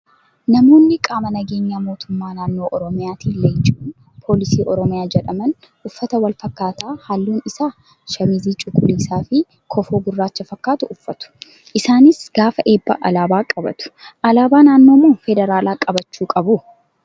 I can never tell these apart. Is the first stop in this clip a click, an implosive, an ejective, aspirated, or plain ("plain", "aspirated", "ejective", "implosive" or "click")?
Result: ejective